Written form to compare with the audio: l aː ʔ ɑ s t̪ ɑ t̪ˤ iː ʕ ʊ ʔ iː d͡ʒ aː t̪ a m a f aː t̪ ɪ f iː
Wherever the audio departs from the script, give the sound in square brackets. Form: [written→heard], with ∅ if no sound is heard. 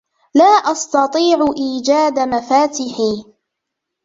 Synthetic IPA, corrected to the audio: l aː ʔ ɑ s t̪ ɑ t̪ˤ iː ʕ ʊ ʔ iː d͡ʒ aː [t̪→d̪] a m a f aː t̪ ɪ [f→ħ] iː